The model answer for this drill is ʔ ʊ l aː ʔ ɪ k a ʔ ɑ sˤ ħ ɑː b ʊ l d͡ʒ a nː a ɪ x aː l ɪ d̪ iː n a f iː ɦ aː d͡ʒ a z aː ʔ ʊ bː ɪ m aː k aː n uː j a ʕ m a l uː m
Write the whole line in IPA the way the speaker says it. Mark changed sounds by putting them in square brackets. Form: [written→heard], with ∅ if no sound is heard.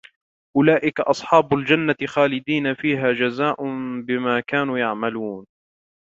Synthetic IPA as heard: ʔ ʊ l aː ʔ ɪ k a ʔ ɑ sˤ ħ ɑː b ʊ l d͡ʒ a nː a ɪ x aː l ɪ d̪ iː n a f iː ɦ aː d͡ʒ a z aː ʔ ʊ [bː→b] ɪ m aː k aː n uː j a ʕ m a l uː [m→n]